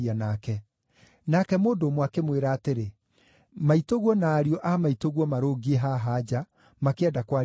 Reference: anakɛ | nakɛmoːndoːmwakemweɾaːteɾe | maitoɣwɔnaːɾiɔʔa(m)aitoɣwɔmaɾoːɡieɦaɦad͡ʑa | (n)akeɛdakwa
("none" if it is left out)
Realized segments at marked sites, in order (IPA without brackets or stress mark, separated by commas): m, m